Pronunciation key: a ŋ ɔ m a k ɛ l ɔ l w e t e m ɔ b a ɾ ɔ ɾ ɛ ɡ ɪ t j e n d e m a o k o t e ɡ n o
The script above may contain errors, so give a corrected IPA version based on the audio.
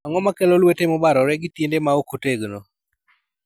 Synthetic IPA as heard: a ŋ ɔ m a k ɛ l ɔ l w e t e m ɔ b a ɾ ɔ ɾ ɛ ɡ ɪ t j e n d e m a o k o t e ɡ n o